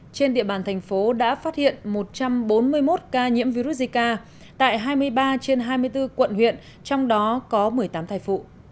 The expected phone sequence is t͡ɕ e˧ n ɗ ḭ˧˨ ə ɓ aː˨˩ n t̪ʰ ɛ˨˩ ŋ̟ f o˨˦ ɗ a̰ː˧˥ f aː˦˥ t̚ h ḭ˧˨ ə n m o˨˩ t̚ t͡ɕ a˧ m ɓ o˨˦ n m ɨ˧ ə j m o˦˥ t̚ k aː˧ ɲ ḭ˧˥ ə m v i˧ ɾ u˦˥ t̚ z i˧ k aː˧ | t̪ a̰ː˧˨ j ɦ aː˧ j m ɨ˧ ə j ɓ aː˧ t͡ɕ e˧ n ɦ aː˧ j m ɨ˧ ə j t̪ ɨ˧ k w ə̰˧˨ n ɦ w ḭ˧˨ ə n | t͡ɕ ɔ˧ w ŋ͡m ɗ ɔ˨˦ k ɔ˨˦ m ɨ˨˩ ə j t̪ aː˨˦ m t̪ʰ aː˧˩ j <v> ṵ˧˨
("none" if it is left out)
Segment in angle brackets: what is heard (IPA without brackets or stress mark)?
f